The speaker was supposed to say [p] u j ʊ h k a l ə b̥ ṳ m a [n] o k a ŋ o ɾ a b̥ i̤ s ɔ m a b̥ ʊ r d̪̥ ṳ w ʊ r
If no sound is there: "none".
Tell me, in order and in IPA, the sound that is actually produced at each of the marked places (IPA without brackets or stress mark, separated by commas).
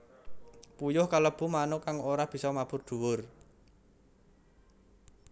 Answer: p, n